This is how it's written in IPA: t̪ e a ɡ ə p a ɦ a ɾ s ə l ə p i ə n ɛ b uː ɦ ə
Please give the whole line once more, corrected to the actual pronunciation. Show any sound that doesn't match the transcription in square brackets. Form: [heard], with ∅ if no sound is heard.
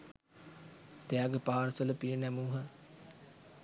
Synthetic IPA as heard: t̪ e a ɡ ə p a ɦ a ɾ s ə l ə p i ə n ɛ [m] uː ɦ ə